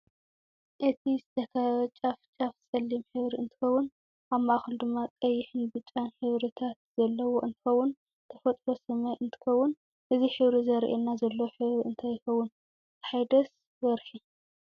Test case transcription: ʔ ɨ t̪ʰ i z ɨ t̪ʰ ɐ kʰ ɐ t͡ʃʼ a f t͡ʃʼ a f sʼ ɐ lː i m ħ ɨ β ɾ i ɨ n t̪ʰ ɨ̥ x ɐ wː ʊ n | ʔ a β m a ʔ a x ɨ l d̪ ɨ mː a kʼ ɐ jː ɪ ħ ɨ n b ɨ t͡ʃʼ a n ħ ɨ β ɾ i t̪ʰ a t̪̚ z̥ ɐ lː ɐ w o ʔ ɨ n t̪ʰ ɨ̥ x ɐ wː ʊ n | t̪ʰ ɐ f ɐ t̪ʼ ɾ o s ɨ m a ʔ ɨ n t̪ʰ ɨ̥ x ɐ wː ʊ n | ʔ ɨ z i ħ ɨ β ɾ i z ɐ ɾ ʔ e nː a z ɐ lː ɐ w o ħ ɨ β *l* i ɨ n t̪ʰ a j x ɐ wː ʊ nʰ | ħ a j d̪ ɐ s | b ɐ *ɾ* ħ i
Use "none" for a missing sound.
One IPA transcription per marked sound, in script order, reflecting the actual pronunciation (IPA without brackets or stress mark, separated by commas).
ɾ, ɾ